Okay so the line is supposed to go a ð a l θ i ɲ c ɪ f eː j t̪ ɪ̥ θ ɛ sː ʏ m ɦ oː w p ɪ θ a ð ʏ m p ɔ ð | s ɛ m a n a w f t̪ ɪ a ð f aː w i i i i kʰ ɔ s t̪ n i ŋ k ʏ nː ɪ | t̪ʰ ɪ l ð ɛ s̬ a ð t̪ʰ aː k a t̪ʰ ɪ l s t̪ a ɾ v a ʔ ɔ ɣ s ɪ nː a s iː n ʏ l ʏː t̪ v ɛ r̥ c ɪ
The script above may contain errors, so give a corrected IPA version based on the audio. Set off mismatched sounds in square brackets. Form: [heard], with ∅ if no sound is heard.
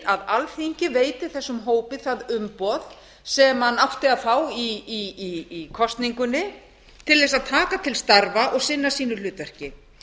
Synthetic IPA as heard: a ð a l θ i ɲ c ɪ [v] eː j t̪ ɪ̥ θ ɛ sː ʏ m ɦ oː w p ɪ θ a ð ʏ m p ɔ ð | s ɛ m a n a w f t̪ ɪ a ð f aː w i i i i kʰ ɔ s t̪ n i ŋ k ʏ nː ɪ | t̪ʰ ɪ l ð ɛ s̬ a ð t̪ʰ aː k a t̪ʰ ɪ l s t̪ a ɾ v a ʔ ɔ ɣ s ɪ nː a s iː n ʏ l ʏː t̪ v ɛ r̥ c ɪ